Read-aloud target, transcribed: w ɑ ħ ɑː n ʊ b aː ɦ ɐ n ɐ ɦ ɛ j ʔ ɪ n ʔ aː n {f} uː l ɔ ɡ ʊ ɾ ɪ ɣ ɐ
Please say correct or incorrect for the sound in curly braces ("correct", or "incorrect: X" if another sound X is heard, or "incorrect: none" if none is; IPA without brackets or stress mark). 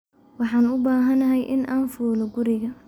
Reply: correct